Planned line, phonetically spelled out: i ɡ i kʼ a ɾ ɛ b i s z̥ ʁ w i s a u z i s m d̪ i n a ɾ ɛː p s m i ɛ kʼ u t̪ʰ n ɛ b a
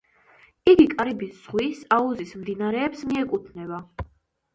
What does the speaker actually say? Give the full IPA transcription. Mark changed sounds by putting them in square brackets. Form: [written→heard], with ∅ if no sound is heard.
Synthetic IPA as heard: i ɡ i kʼ a ɾ [ɛ→i] b i s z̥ ʁ w i s a u z i s m d̪ i n a ɾ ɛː p s m i ɛ kʼ u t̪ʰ n ɛ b a